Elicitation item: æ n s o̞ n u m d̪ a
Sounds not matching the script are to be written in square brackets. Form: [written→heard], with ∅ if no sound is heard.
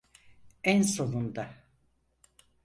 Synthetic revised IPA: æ n s o̞ n u [m→n] d̪ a